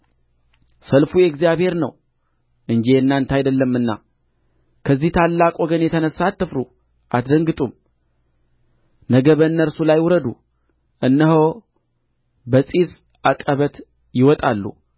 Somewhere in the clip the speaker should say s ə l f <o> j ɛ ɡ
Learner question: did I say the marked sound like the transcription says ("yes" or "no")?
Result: no